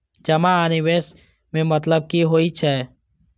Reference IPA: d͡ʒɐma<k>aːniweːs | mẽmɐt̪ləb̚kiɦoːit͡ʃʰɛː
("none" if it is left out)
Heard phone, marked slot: none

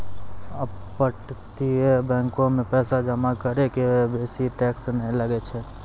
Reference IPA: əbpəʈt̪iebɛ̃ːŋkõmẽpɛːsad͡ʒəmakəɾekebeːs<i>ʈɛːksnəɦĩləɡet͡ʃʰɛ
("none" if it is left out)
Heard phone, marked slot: i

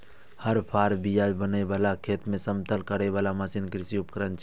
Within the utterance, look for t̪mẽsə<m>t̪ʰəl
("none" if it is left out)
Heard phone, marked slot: m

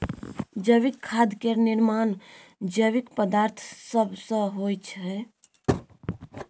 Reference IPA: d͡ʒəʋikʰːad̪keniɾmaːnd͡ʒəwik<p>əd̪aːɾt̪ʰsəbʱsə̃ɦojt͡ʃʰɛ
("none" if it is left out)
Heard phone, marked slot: p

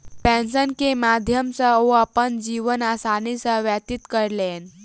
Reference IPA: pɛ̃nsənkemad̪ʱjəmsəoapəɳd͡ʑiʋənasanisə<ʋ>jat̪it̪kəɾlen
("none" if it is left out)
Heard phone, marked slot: ʋ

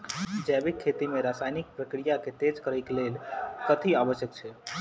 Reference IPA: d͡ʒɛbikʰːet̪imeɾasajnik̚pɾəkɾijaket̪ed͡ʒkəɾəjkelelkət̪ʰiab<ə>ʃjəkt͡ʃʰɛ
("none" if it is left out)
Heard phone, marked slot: ə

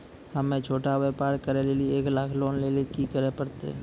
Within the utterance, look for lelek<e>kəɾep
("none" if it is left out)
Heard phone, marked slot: i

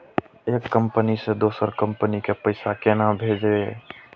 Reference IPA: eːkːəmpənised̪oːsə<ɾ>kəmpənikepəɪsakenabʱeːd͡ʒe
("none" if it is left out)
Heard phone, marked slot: ɾ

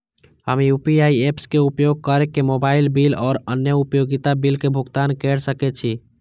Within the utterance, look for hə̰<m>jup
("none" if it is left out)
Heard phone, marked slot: m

